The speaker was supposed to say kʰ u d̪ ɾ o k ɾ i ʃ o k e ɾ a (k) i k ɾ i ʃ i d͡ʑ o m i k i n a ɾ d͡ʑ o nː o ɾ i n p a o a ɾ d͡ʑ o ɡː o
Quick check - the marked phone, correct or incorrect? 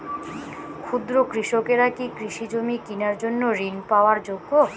correct